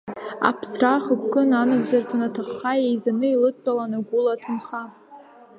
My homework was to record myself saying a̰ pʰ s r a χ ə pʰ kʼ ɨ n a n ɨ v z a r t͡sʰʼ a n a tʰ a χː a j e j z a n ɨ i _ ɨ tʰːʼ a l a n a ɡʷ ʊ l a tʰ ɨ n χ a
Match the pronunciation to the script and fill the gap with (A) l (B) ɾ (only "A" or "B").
A